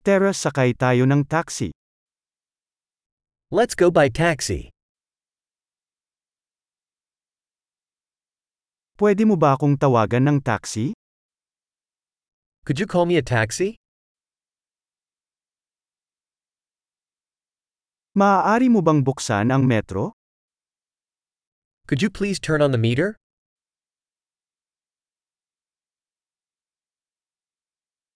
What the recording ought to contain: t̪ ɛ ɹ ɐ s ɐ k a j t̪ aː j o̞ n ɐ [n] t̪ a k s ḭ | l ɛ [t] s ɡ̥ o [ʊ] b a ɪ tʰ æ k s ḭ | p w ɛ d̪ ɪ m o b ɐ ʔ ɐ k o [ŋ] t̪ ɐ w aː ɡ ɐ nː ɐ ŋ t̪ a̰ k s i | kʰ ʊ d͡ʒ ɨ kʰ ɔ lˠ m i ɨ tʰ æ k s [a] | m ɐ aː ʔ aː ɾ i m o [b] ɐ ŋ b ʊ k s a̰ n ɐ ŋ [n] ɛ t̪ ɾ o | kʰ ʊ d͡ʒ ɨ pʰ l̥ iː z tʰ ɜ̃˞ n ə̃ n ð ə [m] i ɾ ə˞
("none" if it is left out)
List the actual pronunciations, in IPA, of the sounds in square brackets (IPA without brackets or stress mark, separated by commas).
ŋ, t, ʊ, ŋ, i, b, m, m